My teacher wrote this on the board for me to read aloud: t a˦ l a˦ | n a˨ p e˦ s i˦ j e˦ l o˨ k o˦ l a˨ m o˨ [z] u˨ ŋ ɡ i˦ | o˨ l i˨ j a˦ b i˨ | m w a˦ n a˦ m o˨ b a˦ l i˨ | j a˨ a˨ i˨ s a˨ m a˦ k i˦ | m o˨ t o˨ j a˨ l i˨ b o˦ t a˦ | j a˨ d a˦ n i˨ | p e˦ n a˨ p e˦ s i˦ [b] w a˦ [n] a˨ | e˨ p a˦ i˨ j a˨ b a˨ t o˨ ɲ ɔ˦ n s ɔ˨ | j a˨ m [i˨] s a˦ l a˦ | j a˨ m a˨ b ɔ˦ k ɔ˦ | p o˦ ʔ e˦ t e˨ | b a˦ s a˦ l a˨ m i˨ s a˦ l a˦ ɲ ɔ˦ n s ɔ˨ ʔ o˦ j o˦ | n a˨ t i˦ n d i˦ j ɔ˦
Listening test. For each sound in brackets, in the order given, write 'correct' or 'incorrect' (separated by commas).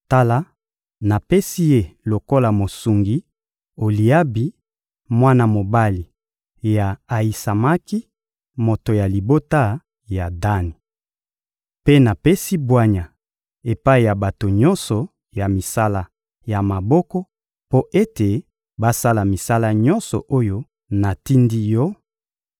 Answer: incorrect, correct, incorrect, correct